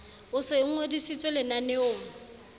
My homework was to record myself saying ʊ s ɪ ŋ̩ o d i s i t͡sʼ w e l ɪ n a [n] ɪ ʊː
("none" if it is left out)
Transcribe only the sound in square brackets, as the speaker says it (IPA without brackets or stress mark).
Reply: n